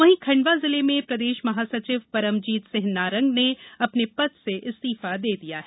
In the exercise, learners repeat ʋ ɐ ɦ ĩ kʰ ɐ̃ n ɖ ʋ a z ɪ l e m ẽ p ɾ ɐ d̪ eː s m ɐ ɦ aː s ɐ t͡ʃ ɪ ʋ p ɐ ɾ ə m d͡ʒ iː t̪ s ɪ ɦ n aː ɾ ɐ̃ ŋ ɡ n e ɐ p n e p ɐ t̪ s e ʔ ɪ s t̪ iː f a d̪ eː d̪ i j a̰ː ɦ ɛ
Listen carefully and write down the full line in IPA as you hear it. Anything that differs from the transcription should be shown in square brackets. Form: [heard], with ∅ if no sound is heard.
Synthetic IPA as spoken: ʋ ɐ ɦ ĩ kʰ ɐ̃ [ɳ] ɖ ʋ a z ɪ l e m ẽ p ɾ ɐ d̪ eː [ʃ] m ɐ ɦ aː s ɐ t͡ʃ ɪ ʋ p ɐ ɾ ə m d͡ʒ iː t̪ s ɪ ɦ n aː ɾ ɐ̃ ŋ ɡ n e ɐ p n e p ɐ t̪ s e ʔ ɪ s t̪ iː f a d̪ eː d̪ i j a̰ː ɦ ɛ